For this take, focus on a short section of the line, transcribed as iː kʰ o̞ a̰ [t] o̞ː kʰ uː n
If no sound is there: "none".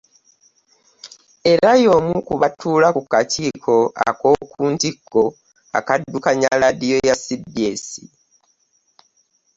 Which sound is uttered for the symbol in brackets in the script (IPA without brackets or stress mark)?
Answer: k